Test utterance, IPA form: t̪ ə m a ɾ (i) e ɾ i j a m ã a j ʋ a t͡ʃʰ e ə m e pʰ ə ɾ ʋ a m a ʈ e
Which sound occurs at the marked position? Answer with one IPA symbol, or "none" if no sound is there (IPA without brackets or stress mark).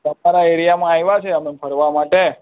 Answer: a